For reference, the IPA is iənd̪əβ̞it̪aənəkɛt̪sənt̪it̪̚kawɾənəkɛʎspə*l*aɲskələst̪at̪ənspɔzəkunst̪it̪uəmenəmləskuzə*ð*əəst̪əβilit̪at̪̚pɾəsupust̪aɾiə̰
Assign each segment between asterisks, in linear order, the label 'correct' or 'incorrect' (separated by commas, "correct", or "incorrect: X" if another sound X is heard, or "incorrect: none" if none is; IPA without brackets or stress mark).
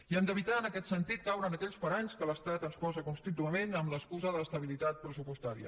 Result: incorrect: ɾ, correct